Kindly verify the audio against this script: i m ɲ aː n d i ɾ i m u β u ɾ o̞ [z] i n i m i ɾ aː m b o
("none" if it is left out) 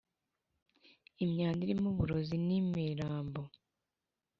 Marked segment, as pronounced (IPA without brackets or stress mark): z